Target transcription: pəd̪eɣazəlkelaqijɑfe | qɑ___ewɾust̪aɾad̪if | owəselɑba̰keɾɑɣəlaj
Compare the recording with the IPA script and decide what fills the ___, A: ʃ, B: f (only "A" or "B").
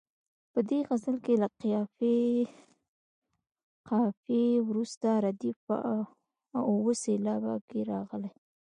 B